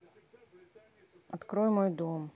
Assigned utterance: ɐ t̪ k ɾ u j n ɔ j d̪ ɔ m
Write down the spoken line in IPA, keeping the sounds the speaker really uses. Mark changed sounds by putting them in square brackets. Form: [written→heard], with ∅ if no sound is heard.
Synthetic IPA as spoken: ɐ t̪ k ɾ [u→ɔ] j [n→m] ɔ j d̪ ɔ m